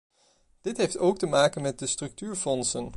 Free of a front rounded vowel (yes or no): no